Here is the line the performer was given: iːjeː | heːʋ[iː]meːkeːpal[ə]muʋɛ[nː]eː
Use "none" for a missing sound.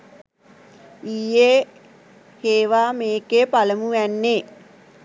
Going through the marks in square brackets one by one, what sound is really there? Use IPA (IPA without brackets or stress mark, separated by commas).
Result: aː, ə, nː